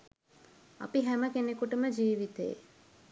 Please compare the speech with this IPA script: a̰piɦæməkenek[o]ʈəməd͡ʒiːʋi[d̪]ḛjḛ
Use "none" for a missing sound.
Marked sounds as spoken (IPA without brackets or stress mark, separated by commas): u, t̪